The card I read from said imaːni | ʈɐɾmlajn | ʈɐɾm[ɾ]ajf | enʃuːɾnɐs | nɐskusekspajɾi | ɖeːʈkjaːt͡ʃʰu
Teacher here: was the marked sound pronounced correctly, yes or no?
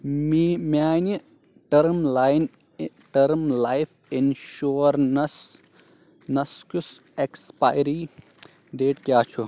no